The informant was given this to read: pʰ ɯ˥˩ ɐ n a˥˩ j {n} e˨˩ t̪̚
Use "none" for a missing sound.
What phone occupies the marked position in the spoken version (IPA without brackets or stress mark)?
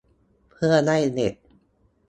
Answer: n